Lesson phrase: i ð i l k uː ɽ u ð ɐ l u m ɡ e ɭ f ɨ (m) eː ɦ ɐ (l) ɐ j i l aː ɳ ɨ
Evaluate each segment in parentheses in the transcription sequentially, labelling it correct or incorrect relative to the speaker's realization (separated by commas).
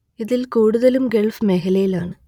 correct, correct